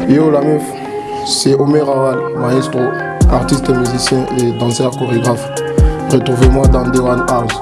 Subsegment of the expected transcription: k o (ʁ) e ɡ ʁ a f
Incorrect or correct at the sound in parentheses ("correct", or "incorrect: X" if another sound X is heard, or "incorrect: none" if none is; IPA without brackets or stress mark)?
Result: correct